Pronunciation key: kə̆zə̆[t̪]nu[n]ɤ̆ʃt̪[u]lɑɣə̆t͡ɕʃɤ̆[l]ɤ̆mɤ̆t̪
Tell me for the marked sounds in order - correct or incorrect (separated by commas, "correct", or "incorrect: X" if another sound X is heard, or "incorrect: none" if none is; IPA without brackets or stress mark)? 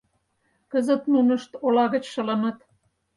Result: correct, correct, incorrect: o, correct